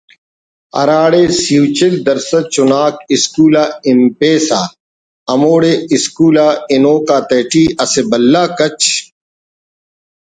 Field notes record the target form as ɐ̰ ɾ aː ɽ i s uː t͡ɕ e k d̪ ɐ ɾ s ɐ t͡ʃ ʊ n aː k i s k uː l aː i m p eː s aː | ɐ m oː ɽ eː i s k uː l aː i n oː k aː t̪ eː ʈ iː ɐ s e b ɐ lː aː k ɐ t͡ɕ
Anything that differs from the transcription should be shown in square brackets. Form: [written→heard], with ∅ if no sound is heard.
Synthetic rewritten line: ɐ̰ ɾ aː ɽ [i→e] s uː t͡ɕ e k d̪ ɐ ɾ s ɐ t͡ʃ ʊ n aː k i s k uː l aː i m p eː s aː | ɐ m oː ɽ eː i s k uː l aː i n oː k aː t̪ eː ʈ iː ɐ s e b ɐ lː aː k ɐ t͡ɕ

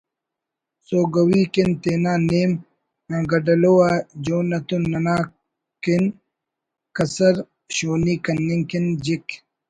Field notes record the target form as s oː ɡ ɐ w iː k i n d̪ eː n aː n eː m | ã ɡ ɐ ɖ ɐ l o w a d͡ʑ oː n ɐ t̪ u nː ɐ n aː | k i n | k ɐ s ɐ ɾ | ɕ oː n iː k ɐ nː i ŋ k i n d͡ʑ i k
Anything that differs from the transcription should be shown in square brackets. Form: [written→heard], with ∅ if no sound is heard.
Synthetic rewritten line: s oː ɡ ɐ w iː k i n [d̪→t̪] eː n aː n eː m | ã ɡ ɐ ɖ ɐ l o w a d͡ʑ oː n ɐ t̪ u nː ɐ n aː | k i n | k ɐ s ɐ ɾ | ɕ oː n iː k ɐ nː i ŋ k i n d͡ʑ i k

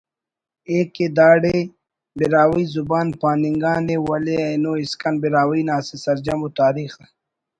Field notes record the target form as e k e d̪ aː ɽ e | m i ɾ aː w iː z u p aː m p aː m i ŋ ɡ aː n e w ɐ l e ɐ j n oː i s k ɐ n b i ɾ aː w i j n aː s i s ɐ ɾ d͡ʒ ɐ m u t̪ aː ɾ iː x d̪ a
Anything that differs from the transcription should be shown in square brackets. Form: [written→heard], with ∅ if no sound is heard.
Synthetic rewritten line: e k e d̪ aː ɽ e | [m→b] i ɾ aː w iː z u [p→b] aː [m→n] p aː [m→n] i ŋ ɡ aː n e w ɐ l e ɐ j n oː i s k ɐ n b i ɾ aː w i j n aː s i s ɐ ɾ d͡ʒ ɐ m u t̪ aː ɾ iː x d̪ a

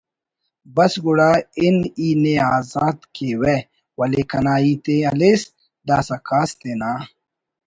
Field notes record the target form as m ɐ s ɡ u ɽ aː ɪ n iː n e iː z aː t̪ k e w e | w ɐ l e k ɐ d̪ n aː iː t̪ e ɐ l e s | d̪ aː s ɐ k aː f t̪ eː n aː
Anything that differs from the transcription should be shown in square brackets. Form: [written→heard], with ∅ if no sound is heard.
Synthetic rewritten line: [m→b] ɐ s ɡ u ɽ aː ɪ n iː n e [iː→aː] z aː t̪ k e w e | w ɐ l e k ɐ [d̪→∅] n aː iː t̪ e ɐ l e s | d̪ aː s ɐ k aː [f→s] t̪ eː n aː

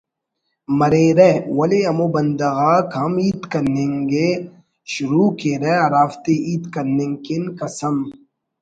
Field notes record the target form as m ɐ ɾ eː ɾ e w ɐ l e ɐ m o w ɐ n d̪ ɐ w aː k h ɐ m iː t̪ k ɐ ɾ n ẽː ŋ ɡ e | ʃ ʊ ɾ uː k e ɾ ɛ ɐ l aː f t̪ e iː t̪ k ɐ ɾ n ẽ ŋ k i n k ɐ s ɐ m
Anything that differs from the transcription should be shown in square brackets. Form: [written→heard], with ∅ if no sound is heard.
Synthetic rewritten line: m ɐ ɾ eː ɾ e w ɐ l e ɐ m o [w→b] ɐ n d̪ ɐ [w→ɣ] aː k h ɐ m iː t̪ k ɐ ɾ n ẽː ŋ ɡ e | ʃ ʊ ɾ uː k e ɾ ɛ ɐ [l→ɾ] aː f t̪ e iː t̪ k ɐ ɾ n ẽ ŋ k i n k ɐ s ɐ m

